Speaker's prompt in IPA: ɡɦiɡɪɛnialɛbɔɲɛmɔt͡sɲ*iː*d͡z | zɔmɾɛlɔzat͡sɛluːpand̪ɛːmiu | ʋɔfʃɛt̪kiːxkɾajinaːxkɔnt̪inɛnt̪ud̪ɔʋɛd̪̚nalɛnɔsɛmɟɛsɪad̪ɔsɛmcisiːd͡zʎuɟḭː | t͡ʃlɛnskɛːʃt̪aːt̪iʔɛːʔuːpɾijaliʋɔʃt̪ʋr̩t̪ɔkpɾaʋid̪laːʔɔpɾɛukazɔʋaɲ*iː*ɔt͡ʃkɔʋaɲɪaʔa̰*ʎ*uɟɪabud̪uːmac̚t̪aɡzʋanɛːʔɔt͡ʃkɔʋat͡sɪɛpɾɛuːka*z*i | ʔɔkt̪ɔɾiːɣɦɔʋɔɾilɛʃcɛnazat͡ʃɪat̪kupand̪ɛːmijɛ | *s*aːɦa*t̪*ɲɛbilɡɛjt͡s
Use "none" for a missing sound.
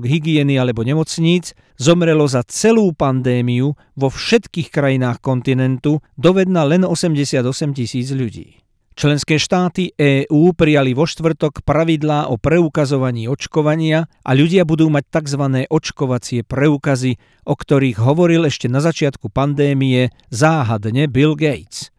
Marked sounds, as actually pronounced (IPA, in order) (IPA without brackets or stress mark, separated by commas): iː, iː, ʎ, z, z, d̪